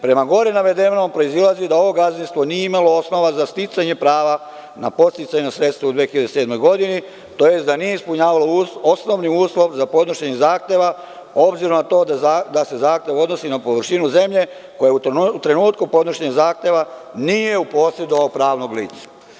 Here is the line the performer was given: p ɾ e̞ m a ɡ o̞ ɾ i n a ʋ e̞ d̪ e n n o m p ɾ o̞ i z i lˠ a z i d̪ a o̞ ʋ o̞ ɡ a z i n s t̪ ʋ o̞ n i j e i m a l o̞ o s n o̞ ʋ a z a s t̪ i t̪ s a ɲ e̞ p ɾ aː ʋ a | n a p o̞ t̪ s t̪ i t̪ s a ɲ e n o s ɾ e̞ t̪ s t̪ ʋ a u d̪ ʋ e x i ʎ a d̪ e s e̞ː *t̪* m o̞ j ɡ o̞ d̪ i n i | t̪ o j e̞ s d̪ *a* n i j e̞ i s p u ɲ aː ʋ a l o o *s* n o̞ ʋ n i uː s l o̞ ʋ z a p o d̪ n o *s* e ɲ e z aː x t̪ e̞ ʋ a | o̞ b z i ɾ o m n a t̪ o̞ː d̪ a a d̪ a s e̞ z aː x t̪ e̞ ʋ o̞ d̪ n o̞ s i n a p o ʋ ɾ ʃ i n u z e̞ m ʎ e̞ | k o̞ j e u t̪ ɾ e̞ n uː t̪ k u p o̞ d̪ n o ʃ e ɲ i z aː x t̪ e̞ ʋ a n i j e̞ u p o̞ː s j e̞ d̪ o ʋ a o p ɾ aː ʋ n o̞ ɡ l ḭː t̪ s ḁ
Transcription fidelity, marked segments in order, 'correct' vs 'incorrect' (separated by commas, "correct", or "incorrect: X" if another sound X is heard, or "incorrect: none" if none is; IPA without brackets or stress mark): incorrect: d̪, correct, correct, incorrect: ʃ